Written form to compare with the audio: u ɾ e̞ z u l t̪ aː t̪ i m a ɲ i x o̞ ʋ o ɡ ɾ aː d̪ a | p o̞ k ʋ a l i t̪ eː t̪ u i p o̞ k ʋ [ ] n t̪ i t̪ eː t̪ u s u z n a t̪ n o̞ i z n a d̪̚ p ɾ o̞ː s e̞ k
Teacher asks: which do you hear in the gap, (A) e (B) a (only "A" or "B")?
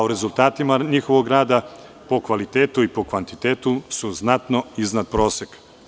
B